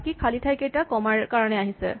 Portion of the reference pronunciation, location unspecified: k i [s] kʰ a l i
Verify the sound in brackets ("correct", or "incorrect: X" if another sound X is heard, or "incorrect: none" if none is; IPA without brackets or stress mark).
incorrect: none